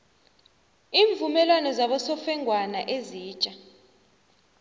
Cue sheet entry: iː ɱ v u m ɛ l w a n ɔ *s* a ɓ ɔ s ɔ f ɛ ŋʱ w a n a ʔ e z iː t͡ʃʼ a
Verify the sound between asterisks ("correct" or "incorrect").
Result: incorrect